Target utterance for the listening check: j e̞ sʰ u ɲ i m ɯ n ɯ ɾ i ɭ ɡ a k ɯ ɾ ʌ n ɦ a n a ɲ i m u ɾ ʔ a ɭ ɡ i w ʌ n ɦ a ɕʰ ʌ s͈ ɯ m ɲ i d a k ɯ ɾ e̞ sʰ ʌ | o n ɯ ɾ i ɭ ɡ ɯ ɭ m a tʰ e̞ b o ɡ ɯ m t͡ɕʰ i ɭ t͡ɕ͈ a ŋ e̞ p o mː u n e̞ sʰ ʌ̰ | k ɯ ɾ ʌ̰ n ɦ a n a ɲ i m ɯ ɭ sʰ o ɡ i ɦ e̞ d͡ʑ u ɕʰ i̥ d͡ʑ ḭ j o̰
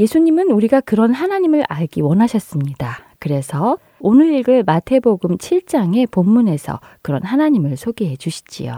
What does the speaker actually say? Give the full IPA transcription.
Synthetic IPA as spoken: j e̞ sʰ u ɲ i m ɯ n u ɾ i ɡ a k ɯ ɾ ʌ n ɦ a n a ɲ i m ɯ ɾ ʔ a ɭ ɡ i w ʌ n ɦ a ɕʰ ʌ s͈ ɯ m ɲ i d a k ɯ ɾ e̞ sʰ ʌ | o n ɯ ɾ i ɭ ɡ ɯ ɭ m a tʰ e̞ b o ɡ ɯ m t͡ɕʰ i ɭ t͡ɕ͈ a ŋ e̞ p o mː u n e̞ sʰ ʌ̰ | k ɯ ɾ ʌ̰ n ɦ a n a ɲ i m ɯ ɭ sʰ o ɡ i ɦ e̞ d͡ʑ u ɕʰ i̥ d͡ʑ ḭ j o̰